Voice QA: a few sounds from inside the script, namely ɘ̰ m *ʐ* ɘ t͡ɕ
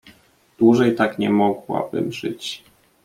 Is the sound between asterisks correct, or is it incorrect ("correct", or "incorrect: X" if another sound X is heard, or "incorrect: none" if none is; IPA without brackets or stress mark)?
correct